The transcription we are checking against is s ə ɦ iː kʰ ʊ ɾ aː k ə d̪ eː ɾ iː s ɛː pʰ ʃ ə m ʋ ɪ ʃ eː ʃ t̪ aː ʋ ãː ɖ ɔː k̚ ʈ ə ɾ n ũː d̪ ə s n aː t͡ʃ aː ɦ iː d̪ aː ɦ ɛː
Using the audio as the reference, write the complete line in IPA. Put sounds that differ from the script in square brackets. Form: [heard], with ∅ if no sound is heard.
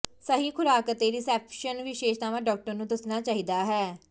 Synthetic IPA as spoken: s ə ɦ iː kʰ ʊ ɾ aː k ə [t̪] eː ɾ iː s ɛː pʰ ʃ ə [n] ʋ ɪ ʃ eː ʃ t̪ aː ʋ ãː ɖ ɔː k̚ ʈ ə ɾ n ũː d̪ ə s n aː t͡ʃ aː ɦ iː d̪ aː ɦ ɛː